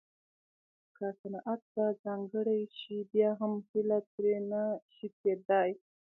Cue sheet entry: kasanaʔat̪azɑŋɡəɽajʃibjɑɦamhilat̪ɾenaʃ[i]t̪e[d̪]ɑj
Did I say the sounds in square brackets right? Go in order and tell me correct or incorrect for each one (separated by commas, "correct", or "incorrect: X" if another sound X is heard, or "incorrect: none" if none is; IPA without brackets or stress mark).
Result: correct, correct